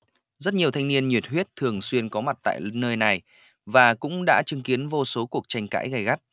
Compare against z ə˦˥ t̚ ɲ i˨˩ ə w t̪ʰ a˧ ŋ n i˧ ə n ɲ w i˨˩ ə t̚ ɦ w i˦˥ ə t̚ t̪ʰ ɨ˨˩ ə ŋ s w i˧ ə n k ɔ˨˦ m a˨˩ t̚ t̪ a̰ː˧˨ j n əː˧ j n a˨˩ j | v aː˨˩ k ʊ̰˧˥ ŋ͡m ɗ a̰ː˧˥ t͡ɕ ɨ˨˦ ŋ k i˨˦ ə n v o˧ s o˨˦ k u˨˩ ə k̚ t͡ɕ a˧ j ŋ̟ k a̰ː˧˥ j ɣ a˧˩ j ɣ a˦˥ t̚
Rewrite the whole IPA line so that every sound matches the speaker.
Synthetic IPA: z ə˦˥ t̚ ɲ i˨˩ ə w t̪ʰ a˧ ŋ n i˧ ə n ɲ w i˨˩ ə t̚ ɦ w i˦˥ ə t̚ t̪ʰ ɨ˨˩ ə ŋ s w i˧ ə n k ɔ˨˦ m a˨˩ t̚ t̪ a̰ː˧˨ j n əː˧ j n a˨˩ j | v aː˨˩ k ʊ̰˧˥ ŋ͡m ɗ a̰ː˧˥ t͡ɕ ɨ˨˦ ŋ k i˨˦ ə n v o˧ s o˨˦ k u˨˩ ə k̚ t͡ɕ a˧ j ŋ̟ k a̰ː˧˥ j ɣ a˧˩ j ɣ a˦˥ t̚